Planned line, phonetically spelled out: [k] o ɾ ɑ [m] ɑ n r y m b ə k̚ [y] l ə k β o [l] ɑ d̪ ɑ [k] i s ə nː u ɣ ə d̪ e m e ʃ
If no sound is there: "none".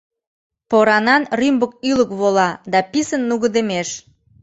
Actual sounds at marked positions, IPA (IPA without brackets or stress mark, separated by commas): p, n, y, l, p